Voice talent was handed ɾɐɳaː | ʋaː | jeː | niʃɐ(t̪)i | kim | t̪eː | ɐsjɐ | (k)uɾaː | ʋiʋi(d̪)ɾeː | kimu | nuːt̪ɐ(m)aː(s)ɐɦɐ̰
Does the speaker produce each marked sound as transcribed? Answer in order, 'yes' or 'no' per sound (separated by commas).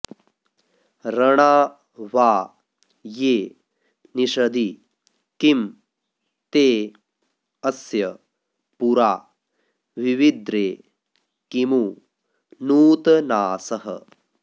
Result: no, no, yes, no, yes